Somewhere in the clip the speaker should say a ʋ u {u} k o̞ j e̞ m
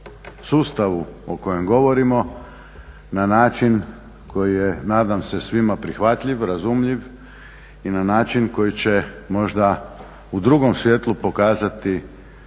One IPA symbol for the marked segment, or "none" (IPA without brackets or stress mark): o